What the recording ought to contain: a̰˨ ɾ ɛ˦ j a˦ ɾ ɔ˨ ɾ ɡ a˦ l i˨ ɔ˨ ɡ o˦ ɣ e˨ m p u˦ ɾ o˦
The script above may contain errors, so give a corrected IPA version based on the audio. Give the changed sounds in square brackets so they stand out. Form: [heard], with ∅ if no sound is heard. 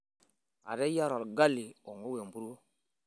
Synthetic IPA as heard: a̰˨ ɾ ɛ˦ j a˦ ɾ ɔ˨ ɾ ɡ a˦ l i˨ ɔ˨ [ŋ] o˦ [w] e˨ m [b] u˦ ɾ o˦